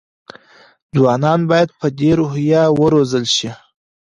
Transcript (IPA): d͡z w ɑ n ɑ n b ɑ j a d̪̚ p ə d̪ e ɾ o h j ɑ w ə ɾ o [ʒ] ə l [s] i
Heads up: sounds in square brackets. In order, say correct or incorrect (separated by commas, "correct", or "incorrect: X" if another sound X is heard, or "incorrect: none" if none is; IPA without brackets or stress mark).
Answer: incorrect: z, incorrect: ʃ